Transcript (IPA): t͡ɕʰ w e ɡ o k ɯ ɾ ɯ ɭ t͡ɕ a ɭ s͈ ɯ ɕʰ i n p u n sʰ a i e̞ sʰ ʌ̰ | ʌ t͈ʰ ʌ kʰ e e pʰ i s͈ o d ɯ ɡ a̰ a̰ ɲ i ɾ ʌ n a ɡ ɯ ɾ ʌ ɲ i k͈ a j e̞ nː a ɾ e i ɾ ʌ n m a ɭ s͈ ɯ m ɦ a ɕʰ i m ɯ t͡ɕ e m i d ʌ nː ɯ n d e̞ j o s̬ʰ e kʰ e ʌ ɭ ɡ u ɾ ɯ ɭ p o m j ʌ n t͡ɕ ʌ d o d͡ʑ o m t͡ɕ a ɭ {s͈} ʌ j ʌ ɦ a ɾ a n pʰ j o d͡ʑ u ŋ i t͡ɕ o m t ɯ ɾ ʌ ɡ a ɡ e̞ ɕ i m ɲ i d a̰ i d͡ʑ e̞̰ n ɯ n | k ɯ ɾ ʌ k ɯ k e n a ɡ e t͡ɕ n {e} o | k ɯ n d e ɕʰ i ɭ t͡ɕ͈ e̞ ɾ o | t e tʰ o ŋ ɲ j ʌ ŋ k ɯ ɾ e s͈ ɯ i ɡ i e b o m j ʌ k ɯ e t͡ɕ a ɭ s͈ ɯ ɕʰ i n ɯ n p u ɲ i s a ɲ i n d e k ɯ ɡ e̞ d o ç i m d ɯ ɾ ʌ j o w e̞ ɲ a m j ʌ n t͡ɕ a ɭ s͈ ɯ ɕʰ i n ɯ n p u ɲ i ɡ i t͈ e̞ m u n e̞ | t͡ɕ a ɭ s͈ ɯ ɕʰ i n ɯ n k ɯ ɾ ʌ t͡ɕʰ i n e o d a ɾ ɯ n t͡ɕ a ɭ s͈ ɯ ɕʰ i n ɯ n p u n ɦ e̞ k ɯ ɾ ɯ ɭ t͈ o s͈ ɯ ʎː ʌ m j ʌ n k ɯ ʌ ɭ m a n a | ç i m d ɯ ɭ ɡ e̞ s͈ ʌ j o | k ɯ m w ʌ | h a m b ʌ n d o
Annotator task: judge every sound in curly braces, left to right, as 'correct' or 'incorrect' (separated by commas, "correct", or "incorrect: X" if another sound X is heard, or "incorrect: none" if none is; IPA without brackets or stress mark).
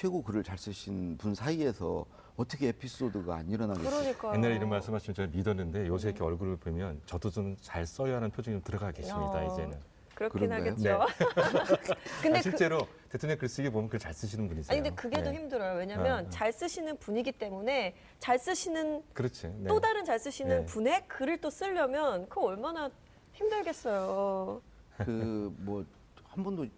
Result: correct, correct